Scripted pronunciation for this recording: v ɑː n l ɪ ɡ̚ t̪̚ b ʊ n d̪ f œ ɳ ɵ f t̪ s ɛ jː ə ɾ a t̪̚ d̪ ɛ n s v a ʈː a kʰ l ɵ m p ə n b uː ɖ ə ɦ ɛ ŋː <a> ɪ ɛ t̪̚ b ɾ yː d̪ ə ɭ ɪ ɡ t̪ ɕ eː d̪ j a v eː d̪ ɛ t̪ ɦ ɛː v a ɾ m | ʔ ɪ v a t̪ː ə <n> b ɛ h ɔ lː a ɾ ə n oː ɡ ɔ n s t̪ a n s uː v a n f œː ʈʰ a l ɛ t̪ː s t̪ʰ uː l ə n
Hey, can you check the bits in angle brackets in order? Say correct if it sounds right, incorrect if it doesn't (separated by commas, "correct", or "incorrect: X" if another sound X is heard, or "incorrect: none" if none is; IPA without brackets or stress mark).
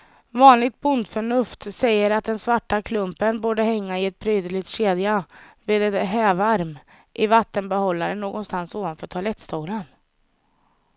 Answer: correct, correct